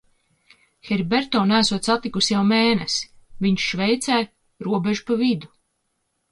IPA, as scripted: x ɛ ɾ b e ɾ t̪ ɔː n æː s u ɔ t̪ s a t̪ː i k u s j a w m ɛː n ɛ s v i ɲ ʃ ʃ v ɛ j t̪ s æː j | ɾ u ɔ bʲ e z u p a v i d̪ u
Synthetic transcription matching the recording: x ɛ ɾ b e ɾ t̪ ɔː n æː s u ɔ t̪ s a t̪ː i k u s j a w m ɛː n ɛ s v i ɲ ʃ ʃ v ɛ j t̪ s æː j | ɾ u ɔ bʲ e ʒ u p a v i d̪ u

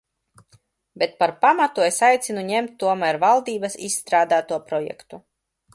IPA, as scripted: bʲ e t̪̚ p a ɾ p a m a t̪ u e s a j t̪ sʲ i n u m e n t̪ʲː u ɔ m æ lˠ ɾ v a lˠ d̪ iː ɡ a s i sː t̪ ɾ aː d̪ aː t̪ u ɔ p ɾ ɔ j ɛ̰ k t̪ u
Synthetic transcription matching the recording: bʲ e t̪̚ p a ɾ p a m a t̪ u e s a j t̪ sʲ i n u ɲ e m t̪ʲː u ɔ m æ ɾ v a lˠ d̪ iː b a s i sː t̪ ɾ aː d̪ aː t̪ u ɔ p ɾ ɔ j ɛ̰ k t̪ u

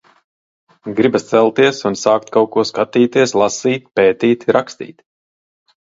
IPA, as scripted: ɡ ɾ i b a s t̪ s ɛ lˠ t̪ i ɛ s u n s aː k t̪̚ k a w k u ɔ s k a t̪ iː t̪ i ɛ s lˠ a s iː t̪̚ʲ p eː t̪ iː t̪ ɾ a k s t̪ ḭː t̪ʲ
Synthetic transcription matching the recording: ɡ ɾ i b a s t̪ s ɛ lˠ t̪ i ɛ s u n s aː k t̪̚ k a w k u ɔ s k a t̪ iː t̪ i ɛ s lˠ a s iː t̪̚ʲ p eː t̪ iː t̪ ɾ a k s t̪ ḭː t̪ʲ

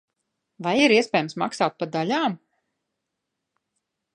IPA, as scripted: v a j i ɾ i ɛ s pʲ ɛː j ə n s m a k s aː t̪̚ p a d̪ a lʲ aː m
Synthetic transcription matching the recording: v a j i ɾ i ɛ s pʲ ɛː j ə m s m a k s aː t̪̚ p a d̪ a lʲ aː m

